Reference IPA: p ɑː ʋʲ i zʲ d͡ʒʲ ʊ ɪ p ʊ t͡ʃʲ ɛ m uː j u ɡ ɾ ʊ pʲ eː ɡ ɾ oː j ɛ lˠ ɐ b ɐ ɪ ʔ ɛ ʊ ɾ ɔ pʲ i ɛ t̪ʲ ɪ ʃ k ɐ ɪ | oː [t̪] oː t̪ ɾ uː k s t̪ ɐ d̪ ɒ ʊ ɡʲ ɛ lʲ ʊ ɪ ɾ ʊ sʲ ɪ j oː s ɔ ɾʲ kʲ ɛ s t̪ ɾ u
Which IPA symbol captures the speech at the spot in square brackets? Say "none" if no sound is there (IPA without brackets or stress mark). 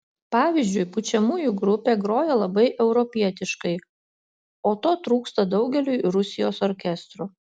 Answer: t̪